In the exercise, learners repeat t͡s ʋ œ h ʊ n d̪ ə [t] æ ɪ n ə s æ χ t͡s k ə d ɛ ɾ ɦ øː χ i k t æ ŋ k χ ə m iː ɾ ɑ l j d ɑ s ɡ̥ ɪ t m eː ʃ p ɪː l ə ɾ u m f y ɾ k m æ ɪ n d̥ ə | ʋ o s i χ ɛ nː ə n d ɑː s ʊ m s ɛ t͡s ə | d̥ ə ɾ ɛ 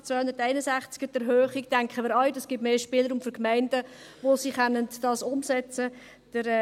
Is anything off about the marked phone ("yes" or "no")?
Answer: no